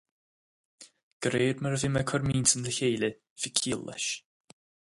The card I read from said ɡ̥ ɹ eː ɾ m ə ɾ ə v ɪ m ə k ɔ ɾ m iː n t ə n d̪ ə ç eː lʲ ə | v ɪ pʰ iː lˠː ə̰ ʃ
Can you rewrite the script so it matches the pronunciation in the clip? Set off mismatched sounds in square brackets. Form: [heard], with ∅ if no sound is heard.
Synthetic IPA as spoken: ɡ̥ [ɾ] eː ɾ m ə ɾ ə v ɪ m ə [kʰ] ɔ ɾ m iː n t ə n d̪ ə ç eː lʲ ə | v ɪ [kʰ] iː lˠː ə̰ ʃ